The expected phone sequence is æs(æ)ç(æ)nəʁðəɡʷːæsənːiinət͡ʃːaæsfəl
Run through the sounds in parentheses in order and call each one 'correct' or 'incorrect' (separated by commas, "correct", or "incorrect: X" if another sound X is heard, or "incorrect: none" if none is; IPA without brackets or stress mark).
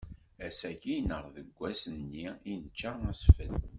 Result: correct, incorrect: i